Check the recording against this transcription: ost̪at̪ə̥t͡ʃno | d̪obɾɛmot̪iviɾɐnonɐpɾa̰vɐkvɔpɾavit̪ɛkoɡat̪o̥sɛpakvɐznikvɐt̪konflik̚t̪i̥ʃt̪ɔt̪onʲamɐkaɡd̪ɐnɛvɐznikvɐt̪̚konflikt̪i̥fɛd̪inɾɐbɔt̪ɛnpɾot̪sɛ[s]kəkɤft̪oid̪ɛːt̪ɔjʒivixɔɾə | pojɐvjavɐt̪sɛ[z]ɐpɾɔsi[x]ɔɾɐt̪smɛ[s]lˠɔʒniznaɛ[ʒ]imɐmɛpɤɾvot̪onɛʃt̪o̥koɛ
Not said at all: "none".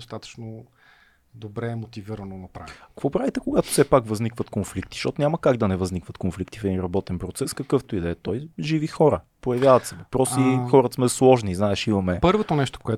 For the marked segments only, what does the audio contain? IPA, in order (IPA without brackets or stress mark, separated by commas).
s, v, x, s, ʃ